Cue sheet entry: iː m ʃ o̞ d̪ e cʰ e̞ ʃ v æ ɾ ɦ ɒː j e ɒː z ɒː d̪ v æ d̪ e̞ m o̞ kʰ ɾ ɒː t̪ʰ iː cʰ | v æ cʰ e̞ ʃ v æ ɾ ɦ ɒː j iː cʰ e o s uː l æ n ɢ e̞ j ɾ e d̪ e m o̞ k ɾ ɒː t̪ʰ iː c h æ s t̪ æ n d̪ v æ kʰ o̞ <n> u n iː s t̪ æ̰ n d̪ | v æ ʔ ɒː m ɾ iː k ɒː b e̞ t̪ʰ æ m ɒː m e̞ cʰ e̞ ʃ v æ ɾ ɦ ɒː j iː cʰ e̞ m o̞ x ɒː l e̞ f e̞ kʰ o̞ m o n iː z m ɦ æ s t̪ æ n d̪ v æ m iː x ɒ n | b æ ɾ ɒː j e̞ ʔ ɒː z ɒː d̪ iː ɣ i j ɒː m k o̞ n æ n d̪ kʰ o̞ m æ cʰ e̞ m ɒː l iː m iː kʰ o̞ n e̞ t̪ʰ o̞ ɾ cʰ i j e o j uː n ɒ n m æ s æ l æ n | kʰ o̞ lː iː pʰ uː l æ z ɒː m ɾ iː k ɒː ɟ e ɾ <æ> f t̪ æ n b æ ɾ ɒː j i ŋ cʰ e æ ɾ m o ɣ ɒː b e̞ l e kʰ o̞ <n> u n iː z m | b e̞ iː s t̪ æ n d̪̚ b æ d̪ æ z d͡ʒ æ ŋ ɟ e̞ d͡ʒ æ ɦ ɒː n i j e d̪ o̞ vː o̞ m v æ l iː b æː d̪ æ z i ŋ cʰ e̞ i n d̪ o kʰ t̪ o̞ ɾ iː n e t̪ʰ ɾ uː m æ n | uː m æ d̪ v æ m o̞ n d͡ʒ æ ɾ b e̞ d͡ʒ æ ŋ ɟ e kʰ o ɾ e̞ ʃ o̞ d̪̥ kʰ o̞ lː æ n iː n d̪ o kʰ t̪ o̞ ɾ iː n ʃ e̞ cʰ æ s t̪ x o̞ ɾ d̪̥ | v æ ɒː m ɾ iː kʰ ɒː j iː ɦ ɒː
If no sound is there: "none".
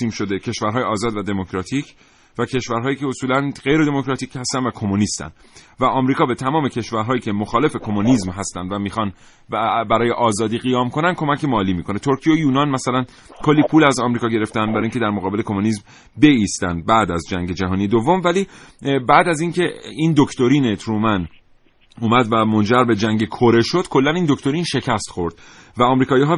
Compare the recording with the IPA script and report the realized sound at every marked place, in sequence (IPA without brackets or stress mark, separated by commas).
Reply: m, e, m